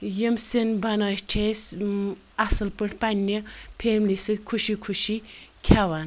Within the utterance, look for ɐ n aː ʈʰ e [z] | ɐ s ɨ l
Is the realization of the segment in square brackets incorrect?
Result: yes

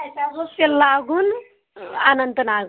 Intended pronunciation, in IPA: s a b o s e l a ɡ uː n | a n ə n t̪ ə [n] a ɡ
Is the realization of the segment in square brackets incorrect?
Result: no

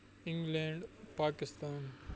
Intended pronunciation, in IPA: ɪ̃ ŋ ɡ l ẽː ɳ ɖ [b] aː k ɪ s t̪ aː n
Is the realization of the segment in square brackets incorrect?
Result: yes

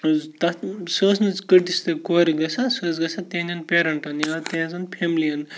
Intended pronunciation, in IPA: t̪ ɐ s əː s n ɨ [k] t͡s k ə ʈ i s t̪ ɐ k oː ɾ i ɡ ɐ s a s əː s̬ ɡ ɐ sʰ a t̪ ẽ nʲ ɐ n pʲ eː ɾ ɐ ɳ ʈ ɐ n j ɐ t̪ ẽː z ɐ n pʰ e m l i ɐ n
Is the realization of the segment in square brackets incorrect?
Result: yes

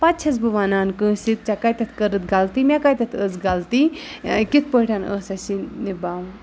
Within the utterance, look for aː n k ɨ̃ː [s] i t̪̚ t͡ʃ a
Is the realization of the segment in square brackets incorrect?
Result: no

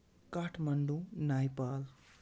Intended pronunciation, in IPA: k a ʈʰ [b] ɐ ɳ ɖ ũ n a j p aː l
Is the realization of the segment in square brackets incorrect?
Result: yes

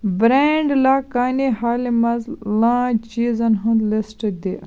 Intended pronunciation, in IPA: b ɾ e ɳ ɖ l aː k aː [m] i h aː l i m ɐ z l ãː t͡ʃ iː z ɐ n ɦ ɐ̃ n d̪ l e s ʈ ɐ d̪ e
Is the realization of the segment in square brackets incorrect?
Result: yes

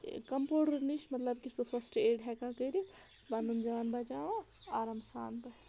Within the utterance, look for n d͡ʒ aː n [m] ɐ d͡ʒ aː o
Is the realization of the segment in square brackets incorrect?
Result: yes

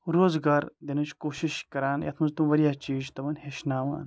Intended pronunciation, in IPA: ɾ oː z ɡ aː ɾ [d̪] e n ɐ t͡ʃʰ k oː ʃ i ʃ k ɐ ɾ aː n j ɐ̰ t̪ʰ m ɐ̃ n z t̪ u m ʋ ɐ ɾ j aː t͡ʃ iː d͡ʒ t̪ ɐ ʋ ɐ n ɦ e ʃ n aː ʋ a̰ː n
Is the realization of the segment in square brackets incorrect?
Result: no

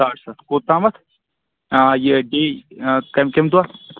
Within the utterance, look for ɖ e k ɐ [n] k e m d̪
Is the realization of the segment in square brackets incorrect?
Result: yes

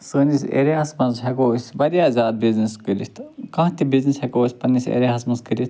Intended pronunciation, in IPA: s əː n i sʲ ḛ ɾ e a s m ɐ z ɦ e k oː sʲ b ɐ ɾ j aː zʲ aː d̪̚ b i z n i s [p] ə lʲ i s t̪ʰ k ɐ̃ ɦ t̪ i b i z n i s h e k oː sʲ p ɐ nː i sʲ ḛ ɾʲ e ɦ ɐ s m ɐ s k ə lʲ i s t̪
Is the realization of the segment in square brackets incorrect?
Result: yes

